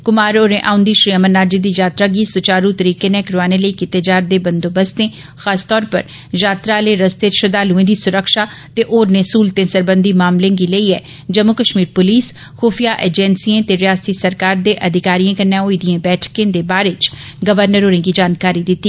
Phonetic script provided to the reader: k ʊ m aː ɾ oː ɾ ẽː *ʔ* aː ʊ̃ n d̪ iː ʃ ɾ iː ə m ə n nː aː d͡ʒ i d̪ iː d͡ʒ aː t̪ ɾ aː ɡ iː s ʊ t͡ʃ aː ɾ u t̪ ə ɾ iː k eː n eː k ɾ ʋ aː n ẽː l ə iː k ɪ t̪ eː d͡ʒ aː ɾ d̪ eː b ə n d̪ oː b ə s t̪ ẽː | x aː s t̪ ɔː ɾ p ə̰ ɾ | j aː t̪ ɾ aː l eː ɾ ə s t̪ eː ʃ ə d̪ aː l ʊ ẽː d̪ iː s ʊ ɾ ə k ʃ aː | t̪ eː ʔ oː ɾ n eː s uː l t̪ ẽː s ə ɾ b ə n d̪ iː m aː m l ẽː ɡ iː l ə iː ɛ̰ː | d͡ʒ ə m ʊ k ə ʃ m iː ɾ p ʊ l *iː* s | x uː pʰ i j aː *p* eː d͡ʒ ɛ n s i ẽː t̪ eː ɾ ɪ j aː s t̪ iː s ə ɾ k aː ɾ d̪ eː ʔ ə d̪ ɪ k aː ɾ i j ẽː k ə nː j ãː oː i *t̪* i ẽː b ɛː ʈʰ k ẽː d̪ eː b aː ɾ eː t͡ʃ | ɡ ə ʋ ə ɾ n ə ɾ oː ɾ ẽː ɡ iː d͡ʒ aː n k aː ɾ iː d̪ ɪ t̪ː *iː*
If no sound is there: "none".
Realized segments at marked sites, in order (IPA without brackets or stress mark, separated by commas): ʔ, iː, ʔ, d̪, iː